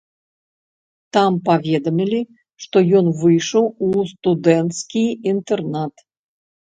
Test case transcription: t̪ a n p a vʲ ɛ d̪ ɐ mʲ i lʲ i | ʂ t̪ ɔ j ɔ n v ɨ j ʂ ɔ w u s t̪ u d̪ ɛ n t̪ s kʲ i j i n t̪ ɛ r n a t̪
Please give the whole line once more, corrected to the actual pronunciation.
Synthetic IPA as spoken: t̪ a m p a vʲ ɛ d̪ ɐ mʲ i lʲ i | ʂ t̪ ɔ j ɔ n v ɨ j ʂ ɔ w u s t̪ u d̪ ɛ n t̪ s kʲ i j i n t̪ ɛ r n a t̪